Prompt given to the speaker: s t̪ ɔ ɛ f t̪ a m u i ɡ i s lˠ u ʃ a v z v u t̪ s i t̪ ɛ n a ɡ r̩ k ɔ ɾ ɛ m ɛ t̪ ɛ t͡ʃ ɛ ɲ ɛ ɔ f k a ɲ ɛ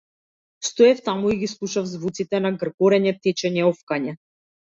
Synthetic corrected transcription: s t̪ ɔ ɛ f t̪ a m u i ɡ i s lˠ u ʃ a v z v u t̪ s i t̪ ɛ n a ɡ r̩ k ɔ ɾ ɛ ɲ ɛ t̪ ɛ t͡ʃ ɛ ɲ ɛ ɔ f k a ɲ ɛ